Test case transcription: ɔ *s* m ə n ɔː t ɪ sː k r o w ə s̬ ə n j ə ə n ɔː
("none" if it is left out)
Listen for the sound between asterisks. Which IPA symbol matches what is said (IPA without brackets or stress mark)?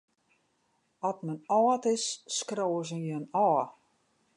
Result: t